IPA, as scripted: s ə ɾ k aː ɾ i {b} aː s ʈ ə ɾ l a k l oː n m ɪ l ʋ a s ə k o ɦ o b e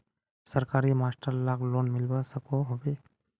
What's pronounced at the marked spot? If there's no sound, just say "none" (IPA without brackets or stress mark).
m